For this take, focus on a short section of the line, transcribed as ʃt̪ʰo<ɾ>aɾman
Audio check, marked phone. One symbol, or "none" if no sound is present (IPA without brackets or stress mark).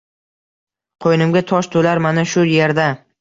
l